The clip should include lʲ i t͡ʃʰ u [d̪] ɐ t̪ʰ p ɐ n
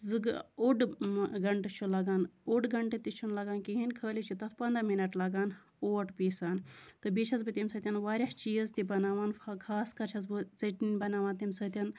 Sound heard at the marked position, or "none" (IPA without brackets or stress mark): t̪